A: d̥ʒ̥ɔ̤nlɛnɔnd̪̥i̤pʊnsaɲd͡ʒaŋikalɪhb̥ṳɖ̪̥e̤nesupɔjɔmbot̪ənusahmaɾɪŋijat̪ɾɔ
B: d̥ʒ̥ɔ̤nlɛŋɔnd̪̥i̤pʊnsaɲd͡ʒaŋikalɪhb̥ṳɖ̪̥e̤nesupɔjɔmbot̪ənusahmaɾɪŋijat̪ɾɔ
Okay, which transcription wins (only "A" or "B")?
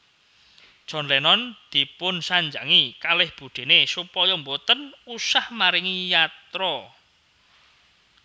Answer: A